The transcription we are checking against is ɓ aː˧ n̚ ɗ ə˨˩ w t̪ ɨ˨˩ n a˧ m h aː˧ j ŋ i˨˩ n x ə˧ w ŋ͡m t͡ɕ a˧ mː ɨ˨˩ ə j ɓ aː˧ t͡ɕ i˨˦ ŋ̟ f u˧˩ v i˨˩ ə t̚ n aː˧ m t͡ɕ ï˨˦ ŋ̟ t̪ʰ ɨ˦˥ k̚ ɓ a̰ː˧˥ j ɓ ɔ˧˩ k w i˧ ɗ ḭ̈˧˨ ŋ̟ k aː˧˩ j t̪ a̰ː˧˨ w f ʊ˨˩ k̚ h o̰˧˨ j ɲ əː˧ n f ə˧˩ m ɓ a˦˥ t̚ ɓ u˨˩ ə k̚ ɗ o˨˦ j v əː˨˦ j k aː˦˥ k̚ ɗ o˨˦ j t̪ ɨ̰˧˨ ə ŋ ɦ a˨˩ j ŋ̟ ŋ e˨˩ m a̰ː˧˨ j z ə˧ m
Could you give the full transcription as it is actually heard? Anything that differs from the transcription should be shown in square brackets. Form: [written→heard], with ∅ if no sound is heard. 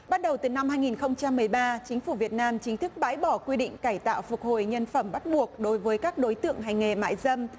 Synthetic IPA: ɓ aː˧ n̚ ɗ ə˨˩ w t̪ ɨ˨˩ n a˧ m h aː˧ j ŋ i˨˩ n x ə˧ w ŋ͡m t͡ɕ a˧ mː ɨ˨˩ ə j ɓ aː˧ t͡ɕ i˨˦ ŋ̟ f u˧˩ v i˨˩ ə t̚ n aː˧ m t͡ɕ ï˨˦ ŋ̟ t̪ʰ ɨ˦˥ k̚ ɓ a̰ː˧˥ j ɓ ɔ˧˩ k w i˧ ɗ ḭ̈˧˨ ŋ̟ k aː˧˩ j t̪ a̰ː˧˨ w f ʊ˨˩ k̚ h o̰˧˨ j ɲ [əː˧→ə˧] n f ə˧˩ m ɓ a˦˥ t̚ ɓ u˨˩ ə k̚ ɗ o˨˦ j v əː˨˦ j k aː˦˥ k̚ ɗ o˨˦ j t̪ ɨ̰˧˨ ə ŋ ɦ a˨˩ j ŋ̟ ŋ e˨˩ m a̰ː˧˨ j z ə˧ m